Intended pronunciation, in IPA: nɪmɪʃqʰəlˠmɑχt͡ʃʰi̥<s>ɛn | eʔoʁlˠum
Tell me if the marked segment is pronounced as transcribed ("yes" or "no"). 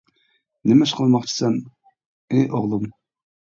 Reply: yes